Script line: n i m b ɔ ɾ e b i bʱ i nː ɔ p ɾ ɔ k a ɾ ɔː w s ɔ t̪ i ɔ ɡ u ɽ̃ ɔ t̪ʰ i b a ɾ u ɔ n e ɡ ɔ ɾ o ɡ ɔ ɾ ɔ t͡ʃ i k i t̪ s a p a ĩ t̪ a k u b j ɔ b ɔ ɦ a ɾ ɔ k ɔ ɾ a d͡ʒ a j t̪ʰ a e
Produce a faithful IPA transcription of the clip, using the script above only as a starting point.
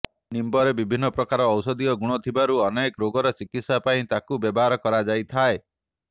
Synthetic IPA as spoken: n i m b ɔ ɾ e b i bʱ i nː ɔ p ɾ ɔ k a ɾ ɔː w s ɔ d̪ i ɔ ɡ u ɽ̃ ɔ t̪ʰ i b a ɾ u ɔ n e k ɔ ɾ o ɡ ɔ ɾ ɔ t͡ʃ i k i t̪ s a p a ĩ t̪ a k u b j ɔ b ɔ ɦ a ɾ ɔ k ɔ ɾ a d͡ʒ a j t̪ʰ a e